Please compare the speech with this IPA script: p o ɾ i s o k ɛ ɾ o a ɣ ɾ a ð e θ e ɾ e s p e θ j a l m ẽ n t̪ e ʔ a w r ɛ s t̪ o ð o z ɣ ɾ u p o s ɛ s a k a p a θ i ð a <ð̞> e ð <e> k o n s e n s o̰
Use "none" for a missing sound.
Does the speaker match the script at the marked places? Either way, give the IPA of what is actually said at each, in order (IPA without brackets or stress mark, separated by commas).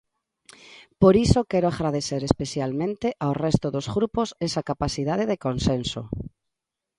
ð̞, e